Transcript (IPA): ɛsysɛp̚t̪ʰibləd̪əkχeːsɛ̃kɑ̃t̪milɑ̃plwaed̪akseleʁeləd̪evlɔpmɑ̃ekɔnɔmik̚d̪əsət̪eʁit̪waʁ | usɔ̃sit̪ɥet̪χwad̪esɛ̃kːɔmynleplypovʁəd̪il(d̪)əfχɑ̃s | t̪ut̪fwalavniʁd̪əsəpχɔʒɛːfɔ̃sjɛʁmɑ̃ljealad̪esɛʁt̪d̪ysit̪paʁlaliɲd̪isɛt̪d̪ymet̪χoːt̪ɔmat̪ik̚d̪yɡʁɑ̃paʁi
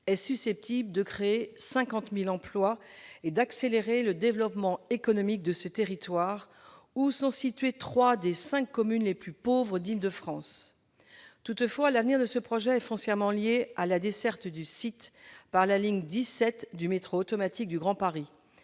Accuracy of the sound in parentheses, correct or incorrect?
correct